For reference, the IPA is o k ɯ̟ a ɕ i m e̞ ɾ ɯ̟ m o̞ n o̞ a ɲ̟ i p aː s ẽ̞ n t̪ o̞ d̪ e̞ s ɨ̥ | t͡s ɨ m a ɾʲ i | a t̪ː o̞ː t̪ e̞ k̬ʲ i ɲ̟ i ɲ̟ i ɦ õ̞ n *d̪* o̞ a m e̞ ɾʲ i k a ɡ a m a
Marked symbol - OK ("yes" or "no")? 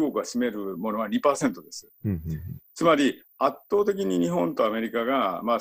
no